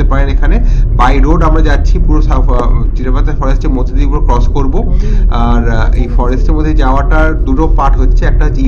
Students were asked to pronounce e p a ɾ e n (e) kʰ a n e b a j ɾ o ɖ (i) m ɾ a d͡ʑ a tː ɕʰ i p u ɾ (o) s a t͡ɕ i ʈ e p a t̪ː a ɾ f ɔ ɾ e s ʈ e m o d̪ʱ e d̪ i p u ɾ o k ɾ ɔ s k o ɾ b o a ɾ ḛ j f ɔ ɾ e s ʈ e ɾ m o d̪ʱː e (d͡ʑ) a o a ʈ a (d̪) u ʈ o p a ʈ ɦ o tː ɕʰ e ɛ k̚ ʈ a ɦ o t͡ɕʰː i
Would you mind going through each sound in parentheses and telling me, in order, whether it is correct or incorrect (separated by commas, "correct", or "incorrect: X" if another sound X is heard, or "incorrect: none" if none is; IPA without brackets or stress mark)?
correct, incorrect: a, correct, correct, correct